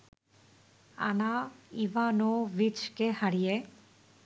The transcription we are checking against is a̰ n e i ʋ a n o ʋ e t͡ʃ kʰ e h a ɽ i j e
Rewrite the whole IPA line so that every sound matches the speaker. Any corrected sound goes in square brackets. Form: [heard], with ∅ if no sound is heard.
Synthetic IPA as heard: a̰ n [a] i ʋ a n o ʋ [i] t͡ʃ [k] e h a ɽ i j e